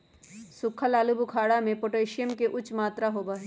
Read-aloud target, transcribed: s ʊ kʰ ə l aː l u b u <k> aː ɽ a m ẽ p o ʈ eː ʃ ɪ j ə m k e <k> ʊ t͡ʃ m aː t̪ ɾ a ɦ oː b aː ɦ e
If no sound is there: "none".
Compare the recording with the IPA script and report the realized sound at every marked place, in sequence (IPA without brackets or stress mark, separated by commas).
kʰ, ʔ